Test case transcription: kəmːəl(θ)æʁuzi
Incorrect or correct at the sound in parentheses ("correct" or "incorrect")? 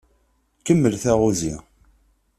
correct